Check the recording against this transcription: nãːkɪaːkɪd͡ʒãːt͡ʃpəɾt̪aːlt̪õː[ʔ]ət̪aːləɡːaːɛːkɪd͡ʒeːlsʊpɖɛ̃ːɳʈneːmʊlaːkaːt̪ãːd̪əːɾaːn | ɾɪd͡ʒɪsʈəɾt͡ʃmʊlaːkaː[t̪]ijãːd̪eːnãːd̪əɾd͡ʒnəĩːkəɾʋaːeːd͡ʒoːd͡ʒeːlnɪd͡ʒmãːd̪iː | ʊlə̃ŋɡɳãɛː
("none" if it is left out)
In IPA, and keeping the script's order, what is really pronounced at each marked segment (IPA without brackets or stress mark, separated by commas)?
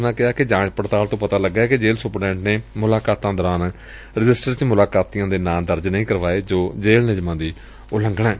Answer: p, t̪